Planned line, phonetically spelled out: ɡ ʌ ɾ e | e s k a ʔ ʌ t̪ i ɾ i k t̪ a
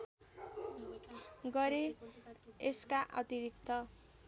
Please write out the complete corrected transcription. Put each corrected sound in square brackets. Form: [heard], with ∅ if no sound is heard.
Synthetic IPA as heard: ɡ ʌ ɾ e | e s k a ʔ ʌ t̪ i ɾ i k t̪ [ʌ]